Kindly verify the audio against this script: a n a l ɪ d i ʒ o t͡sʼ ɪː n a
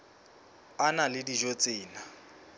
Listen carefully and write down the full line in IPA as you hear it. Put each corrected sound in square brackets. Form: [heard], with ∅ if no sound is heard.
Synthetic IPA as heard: a n a l ɪ d i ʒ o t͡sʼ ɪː n a